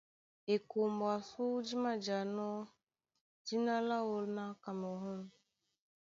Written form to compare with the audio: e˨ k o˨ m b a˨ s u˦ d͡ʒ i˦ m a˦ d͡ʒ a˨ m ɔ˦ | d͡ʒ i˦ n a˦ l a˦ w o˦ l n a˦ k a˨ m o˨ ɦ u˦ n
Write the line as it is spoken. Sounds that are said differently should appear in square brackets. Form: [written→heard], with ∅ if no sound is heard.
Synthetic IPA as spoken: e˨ k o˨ m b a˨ s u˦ d͡ʒ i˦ m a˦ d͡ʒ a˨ [m→n] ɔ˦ | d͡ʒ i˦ n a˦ l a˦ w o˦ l n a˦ k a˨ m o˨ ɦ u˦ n